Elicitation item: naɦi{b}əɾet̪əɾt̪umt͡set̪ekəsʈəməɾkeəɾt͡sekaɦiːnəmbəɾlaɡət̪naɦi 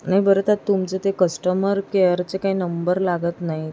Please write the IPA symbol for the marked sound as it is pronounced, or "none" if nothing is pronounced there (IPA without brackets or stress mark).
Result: b